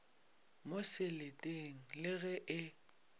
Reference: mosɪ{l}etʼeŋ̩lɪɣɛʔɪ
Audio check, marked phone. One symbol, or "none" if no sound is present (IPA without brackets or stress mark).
l